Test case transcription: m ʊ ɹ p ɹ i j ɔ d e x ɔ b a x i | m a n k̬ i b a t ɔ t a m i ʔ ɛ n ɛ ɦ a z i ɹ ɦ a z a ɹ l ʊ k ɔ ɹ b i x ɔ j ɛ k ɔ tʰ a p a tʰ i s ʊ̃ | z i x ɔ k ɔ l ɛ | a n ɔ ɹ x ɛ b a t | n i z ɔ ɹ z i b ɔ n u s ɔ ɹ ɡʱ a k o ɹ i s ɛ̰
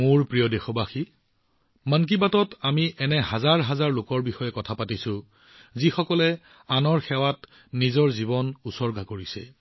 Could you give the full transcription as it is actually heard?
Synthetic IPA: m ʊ ɹ p ɹ i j ɔ d e x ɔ b a x i | m a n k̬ i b a t ɔ t a m i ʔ ɛ n ɛ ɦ a z a ɹ ɦ a z a ɹ l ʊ k ɔ ɹ b i x ɔ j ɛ k ɔ tʰ a p a t i s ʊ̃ | z i x ɔ k ɔ l ɛ | a n ɔ ɹ x ɛ w a t | n i z ɔ ɹ z i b ɔ n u s ɔ ɹ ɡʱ a k o ɹ i s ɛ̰